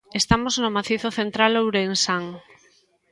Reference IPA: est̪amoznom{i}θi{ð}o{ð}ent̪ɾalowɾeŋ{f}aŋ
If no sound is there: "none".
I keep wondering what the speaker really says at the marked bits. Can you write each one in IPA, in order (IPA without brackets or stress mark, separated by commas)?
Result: a, θ, θ, s